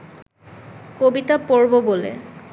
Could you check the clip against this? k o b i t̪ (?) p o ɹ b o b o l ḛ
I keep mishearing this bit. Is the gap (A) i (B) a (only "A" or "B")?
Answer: B